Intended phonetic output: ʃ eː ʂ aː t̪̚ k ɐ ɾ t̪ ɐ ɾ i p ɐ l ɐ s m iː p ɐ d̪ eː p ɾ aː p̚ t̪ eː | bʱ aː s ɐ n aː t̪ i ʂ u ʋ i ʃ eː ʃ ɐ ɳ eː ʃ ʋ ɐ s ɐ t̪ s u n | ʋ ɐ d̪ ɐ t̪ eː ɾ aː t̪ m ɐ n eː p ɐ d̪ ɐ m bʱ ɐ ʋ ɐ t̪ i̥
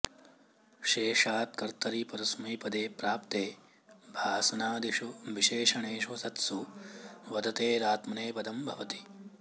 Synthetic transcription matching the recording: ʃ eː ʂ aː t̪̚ k ɐ ɾ t̪ ɐ ɾ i p ɐ ɾ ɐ s m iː p ɐ d̪ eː p ɾ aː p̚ t̪ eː | bʱ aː s ɐ n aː d̪ i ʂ u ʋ i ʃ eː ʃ ɐ ɳ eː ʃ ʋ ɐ s ɐ t̪ s u | ʋ ɐ d̪ ɐ t̪ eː ɾ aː t̪ m ɐ n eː p ɐ d̪ ɐ m bʱ ɐ ʋ ɐ t̪ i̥

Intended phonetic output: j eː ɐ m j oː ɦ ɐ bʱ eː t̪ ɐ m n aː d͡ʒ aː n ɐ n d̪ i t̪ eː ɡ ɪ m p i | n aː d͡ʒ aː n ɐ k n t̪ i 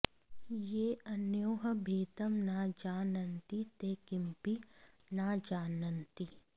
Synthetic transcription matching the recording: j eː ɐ n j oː ɦ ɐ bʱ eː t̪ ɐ m n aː d͡ʒ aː n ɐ n t̪ i t̪ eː k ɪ m p i | n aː d͡ʒ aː n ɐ n t̪ i

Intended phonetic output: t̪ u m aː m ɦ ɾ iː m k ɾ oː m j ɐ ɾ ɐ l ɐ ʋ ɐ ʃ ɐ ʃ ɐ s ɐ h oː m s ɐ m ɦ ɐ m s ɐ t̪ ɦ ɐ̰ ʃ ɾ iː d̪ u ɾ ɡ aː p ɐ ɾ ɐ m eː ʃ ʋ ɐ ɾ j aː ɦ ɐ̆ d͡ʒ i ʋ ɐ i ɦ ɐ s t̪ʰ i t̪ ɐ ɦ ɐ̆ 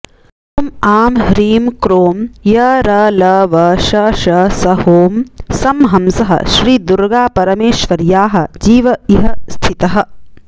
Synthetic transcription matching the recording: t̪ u m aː m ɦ ɾ iː m k ɾ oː m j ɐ ɾ ɐ l ɐ ʋ ɐ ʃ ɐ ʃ ɐ s ɐ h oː m s ɐ m ɦ ɐ m s ɐ ɦ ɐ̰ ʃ ɾ iː d̪ u ɾ ɡ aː p ɐ ɾ ɐ m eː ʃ ʋ ɐ ɾ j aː ɦ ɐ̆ d͡ʒ iː ʋ ɐ i ɦ ɐ s t̪ʰ i t̪ ɐ ɦ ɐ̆

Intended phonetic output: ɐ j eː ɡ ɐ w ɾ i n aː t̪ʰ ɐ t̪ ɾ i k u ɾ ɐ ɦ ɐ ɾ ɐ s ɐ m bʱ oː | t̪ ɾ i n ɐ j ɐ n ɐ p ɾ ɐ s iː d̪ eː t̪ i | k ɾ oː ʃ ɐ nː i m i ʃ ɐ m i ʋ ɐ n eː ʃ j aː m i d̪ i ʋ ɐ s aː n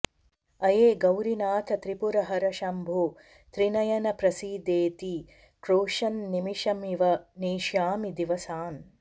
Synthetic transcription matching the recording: ɐ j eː ɡ ɐ w ɾ i n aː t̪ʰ ɐ t̪ ɾ i p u ɾ ɐ ɦ ɐ ɾ ɐ ʃ ɐ m bʱ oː | t̪ ɾ i n ɐ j ɐ n ɐ p ɾ ɐ s iː d̪ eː t̪ i | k ɾ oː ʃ ɐ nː i m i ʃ ɐ m i ʋ ɐ n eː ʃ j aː m i d̪ i ʋ ɐ s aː n

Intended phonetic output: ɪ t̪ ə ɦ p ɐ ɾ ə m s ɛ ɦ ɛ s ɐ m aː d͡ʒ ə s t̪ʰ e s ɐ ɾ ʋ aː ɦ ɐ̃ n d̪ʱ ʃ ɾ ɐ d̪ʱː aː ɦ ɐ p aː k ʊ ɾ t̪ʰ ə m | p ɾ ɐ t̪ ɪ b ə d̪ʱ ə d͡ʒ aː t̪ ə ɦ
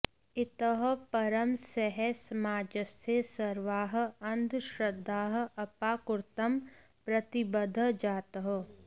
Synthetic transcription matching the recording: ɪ t̪ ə ɦ p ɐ ɾ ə m s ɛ ɦ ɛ s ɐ m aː d͡ʒ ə s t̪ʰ e s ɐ ɾ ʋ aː ɦ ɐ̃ n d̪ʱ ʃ ɾ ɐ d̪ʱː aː ɦ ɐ p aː k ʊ ɾ t̪ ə m | p ɾ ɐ t̪ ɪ b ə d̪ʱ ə d͡ʒ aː t̪ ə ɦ

